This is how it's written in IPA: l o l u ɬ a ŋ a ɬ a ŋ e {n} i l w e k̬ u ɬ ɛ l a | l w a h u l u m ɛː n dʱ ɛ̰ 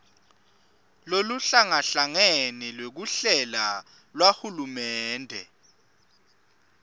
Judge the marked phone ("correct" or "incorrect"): correct